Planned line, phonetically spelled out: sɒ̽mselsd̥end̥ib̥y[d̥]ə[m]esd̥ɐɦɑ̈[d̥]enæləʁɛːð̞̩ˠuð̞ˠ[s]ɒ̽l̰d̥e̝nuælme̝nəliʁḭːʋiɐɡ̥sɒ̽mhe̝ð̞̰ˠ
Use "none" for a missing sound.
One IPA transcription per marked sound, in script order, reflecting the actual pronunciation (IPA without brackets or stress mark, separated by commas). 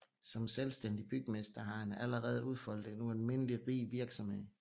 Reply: ɡ̥, m, none, f